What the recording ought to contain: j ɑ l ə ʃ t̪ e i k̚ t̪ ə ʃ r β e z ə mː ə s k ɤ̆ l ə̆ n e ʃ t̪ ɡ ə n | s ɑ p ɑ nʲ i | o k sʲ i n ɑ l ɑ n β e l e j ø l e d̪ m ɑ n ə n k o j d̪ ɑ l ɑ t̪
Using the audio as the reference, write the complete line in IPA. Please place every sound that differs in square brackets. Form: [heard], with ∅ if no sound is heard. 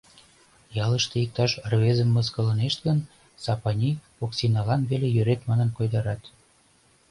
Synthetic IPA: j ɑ l ə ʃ t̪ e i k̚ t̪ [ɑ] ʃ r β e z ə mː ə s k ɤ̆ l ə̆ n e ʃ t̪ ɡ ə n | s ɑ p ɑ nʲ i | o k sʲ i n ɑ l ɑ n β e l e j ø [ɾ] e [t̪] m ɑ n ə n k o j d̪ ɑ [ɾ] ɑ t̪